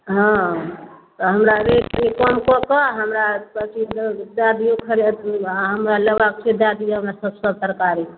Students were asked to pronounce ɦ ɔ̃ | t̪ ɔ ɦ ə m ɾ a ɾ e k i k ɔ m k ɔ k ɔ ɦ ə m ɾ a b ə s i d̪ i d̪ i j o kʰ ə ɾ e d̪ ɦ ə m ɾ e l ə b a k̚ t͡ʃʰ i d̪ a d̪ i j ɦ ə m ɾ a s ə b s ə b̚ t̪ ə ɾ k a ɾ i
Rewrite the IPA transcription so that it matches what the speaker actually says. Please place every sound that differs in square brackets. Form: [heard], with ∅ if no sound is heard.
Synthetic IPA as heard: ɦ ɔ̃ | t̪ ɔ ɦ ə m ɾ a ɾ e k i k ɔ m k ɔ k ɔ ɦ ə m ɾ a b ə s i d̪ [a] d̪ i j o kʰ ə ɾ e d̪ ɦ ə m ɾ [a] l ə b a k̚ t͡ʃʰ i d̪ a d̪ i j ɦ ə m ɾ a s ə b s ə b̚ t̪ ə ɾ k a ɾ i